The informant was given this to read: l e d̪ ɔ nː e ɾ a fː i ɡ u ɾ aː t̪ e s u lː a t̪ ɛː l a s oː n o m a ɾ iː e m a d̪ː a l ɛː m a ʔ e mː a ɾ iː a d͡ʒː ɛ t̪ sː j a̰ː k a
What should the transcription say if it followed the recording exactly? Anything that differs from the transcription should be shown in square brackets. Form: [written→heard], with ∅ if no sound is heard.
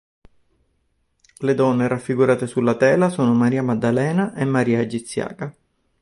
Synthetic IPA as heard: l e d̪ ɔ nː e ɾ a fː i ɡ u ɾ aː t̪ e s u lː a t̪ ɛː l a s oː n o m a ɾ iː [e→a] m a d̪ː a l ɛː [m→n] a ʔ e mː a ɾ iː a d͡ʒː [ɛ→i] t̪ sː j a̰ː k a

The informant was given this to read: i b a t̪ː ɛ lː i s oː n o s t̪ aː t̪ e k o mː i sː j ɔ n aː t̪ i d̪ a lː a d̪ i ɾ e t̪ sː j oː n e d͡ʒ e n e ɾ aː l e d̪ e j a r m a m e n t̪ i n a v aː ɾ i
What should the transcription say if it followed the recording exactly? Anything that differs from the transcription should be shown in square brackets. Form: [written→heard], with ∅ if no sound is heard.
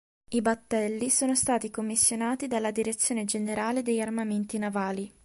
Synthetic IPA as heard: i b a t̪ː ɛ lː i s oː n o s t̪ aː t̪ [e→i] k o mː i sː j [ɔ→o] n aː t̪ i d̪ a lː a d̪ i ɾ e t̪ sː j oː n e d͡ʒ e n e ɾ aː l e d̪ e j a r m a m e n t̪ i n a v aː [ɾ→l] i

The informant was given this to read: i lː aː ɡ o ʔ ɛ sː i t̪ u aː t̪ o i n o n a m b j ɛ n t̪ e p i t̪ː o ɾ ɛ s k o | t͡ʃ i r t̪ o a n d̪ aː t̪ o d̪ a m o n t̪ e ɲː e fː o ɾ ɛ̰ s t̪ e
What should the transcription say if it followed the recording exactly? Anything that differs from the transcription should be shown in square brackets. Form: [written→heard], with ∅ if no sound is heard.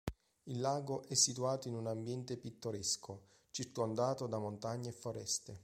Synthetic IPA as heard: i lː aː ɡ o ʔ ɛ sː i t̪ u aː t̪ o i n [o→u] n a m b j ɛ n t̪ e p i t̪ː o ɾ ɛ s k o | t͡ʃ i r t̪ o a n d̪ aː t̪ o d̪ a m o n t̪ [e→a] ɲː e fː o ɾ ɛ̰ s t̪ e

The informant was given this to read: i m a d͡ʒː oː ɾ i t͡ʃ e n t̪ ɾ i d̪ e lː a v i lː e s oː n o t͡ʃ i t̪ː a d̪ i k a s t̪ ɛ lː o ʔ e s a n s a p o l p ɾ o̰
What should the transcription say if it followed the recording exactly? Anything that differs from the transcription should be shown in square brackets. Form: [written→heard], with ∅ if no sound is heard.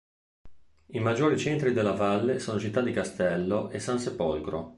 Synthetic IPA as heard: i m a d͡ʒː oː ɾ i t͡ʃ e n t̪ ɾ i d̪ e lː a v [i→a] lː e s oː n o t͡ʃ i t̪ː a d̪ i k a s t̪ ɛ lː o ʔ e s a n s [a→e] p o l [p→k] ɾ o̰

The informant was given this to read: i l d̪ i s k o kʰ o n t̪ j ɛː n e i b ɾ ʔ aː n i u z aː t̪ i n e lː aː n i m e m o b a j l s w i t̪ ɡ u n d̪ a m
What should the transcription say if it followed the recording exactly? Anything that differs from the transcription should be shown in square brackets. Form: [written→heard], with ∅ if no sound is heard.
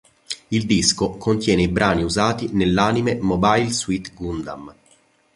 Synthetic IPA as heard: i l d̪ i s k o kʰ o n t̪ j ɛː n e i b ɾ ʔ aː n i u z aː t̪ i n e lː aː n i m e m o b a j l s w i t̪ ɡ u n d̪ a m

